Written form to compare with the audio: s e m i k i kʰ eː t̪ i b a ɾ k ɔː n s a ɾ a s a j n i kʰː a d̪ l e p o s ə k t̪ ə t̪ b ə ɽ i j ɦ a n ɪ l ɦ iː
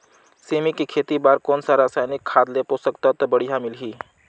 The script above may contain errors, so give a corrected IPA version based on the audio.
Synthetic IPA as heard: s e m i k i kʰ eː t̪ i b a ɾ k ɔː n s a ɾ a s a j n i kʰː a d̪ l e p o s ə k t̪ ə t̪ b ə ɽ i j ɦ a m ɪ l ɦ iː